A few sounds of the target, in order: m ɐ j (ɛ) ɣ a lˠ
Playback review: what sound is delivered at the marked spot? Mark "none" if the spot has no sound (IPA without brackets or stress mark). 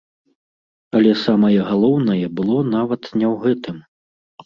ɛ